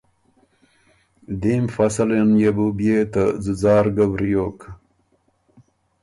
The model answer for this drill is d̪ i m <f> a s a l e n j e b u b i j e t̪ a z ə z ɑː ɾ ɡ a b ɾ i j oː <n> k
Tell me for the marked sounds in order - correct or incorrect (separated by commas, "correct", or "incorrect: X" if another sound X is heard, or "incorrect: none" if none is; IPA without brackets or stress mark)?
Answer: correct, incorrect: none